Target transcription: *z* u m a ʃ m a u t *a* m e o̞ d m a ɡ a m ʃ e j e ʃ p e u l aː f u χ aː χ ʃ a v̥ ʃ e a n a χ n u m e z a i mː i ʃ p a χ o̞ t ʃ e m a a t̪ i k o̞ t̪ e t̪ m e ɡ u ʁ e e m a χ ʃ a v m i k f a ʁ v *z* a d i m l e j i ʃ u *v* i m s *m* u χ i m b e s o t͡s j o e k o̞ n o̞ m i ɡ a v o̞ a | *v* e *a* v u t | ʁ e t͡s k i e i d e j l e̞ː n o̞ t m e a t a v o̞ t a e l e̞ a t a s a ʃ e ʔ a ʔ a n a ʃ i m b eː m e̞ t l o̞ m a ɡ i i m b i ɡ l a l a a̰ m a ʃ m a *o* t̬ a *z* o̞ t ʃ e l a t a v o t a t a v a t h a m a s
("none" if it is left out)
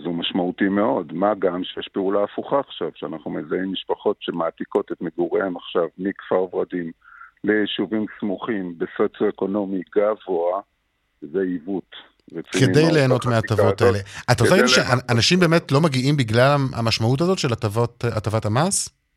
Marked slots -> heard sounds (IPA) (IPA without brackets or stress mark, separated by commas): z, i, ʁ, v, m, z, i, u, z